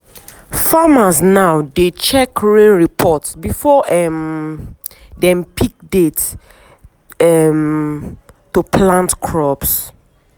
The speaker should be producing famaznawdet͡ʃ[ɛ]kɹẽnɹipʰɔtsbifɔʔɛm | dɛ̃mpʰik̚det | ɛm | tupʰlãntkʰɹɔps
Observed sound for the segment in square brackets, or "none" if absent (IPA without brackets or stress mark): ɛ